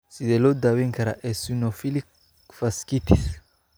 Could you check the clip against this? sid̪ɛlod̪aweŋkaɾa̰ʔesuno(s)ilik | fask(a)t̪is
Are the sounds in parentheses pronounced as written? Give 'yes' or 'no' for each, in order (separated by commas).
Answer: no, no